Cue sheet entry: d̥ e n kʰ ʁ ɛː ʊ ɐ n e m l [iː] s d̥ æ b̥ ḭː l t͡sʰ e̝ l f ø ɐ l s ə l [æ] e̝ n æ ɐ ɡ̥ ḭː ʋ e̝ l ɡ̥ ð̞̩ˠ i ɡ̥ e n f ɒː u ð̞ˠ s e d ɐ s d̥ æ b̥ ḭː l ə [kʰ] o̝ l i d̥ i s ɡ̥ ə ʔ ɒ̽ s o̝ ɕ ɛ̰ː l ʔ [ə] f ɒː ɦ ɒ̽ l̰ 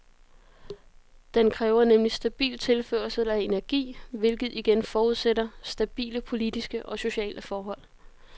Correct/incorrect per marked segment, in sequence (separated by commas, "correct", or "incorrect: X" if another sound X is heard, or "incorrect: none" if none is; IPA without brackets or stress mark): incorrect: i, correct, incorrect: pʰ, correct